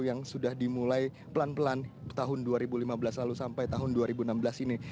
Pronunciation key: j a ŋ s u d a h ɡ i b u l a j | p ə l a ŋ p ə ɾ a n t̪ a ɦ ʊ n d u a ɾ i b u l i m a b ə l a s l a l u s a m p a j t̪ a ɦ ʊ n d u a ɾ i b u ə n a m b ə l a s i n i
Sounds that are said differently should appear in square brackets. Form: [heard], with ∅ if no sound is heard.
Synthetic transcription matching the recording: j a ŋ s u d a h [d] i [m] u l a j | p ə l a [n] p ə [l] a n t̪ a ɦ ʊ n d u a ɾ i b u l i m a b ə l a s l a l u s a m p a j t̪ a ɦ ʊ n d u a ɾ i b u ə n a m b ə l a s i n i